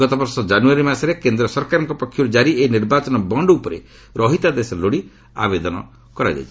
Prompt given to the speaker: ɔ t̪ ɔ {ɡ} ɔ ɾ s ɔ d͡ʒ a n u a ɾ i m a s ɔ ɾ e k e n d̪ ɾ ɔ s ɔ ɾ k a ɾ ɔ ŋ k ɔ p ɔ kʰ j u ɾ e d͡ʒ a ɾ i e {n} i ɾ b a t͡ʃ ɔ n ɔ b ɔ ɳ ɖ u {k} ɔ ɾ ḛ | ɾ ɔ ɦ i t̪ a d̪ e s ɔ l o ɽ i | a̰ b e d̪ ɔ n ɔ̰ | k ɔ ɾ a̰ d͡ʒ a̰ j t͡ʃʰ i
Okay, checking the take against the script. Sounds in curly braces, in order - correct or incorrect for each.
incorrect: b, correct, incorrect: p

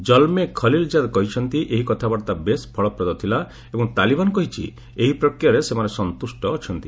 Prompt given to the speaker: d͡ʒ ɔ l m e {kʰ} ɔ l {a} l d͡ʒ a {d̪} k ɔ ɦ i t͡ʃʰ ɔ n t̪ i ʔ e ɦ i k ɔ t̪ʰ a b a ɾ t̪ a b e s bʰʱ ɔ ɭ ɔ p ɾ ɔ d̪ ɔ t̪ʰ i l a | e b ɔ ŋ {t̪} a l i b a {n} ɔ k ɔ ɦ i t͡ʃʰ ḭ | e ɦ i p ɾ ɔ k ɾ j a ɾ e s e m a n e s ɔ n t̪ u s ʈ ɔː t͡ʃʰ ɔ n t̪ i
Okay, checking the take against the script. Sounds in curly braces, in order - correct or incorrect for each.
correct, incorrect: i, correct, correct, correct

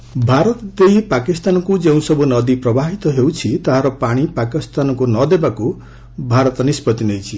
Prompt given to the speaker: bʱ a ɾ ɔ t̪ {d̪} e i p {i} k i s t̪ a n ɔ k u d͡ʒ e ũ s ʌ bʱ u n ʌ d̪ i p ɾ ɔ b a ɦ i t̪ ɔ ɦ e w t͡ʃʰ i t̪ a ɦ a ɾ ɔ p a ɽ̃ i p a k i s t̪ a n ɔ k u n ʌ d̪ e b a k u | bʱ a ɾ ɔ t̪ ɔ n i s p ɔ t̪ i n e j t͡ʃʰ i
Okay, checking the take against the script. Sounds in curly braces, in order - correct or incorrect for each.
correct, incorrect: a

